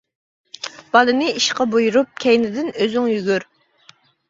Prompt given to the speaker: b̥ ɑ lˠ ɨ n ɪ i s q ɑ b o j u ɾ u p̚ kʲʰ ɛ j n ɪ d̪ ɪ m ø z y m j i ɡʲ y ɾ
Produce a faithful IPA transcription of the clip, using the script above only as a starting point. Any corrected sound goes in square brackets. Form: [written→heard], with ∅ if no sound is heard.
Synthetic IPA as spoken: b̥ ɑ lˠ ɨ n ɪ i [s→ʃ] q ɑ b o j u ɾ u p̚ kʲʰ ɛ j n ɪ d̪ ɪ [m→n] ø z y [m→ŋ] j [i→y] ɡʲ y ɾ